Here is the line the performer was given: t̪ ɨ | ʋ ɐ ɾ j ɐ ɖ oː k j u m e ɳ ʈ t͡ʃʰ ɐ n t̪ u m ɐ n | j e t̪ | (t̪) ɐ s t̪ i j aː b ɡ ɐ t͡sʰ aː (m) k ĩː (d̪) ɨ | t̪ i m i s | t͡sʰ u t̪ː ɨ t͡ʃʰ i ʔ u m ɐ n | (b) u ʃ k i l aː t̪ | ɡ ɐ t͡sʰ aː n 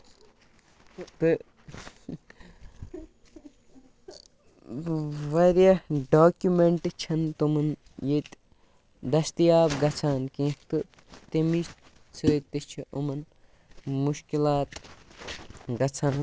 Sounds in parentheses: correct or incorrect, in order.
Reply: incorrect, incorrect, incorrect, incorrect

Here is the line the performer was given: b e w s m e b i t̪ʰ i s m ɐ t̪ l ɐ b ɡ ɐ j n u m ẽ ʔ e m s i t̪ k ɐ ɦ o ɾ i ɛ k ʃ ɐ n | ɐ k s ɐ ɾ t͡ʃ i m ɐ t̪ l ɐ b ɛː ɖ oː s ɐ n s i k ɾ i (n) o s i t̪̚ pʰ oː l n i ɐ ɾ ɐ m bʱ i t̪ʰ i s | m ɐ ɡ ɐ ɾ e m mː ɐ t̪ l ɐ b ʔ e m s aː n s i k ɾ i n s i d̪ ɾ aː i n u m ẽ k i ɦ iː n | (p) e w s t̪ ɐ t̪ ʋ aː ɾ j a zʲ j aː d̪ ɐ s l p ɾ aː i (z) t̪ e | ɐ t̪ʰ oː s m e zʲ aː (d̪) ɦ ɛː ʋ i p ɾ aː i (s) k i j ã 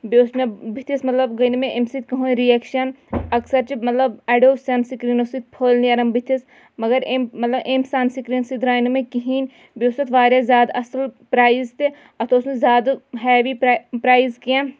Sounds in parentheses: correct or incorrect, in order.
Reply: correct, incorrect, correct, correct, incorrect

